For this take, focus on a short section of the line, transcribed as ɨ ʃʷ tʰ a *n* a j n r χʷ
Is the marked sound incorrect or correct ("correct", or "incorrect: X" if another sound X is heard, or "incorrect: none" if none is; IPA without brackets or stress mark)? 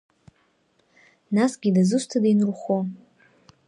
incorrect: d